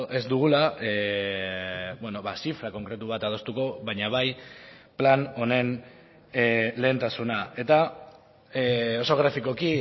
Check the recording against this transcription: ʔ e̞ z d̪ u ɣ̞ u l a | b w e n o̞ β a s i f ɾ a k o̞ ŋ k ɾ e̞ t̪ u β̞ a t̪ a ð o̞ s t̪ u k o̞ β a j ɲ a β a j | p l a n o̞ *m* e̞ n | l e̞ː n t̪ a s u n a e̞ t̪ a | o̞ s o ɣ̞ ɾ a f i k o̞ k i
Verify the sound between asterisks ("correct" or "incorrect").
incorrect